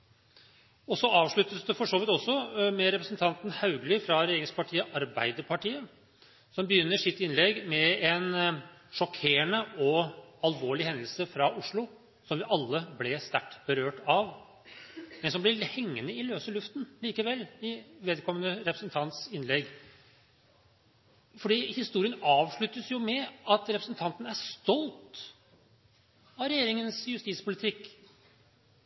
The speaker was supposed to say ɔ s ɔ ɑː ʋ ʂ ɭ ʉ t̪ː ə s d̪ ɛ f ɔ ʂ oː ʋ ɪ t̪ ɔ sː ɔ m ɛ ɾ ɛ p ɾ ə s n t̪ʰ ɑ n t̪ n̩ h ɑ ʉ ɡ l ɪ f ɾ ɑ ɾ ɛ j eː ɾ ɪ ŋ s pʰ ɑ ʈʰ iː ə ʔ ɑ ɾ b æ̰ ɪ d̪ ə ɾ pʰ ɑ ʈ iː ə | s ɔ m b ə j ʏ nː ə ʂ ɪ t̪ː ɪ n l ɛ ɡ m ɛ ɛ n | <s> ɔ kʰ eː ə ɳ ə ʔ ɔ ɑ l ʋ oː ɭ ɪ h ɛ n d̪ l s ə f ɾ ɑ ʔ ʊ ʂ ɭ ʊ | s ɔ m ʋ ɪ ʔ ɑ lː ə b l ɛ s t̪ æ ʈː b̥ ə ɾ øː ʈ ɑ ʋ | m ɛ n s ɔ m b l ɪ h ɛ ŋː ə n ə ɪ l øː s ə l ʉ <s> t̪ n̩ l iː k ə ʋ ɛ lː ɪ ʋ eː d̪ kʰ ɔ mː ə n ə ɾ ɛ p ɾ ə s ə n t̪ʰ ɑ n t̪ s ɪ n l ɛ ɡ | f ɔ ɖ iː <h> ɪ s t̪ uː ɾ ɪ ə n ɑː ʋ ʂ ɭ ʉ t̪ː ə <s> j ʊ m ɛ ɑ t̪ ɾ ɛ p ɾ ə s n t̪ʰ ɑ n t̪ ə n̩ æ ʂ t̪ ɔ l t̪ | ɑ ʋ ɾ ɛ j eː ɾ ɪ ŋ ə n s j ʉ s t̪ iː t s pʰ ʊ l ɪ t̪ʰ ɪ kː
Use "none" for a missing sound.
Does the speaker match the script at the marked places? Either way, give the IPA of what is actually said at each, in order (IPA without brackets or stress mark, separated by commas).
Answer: ʂ, f, h, s